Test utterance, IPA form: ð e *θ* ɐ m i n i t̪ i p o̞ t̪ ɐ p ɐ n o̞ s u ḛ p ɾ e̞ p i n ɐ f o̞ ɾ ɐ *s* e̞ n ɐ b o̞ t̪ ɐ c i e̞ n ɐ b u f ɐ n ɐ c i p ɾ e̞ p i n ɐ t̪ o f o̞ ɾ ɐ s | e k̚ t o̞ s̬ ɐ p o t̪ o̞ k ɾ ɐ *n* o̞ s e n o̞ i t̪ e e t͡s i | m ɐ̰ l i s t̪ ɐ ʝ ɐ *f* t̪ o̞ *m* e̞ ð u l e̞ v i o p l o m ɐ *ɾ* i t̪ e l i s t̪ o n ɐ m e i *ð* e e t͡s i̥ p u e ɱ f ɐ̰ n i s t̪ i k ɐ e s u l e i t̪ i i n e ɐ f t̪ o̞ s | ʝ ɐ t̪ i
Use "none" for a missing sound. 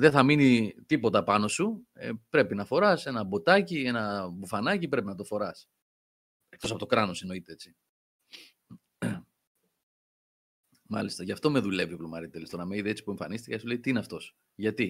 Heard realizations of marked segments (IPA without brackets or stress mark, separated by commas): θ, s, n, f, m, ɾ, ð